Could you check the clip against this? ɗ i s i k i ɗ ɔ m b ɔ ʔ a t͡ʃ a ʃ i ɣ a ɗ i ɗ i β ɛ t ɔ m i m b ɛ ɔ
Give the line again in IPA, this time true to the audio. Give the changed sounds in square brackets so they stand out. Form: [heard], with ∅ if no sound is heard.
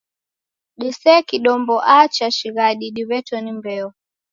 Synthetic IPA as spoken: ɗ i s [ɛ] k i ɗ ɔ m b ɔ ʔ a t͡ʃ a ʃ i ɣ a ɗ i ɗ i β ɛ t ɔ [n] i m b ɛ ɔ